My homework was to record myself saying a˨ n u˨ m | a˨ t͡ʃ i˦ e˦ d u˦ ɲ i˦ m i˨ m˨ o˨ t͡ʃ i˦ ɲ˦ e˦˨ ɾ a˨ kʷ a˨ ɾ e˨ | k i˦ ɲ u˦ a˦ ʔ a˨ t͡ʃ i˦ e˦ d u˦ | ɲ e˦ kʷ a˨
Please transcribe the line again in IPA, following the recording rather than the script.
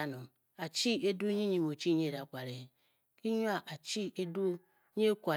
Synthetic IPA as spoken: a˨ n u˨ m | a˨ t͡ʃ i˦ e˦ d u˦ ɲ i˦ ɲ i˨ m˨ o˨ t͡ʃ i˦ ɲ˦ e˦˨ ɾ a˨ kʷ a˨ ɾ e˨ | k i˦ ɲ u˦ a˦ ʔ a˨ t͡ʃ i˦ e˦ d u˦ | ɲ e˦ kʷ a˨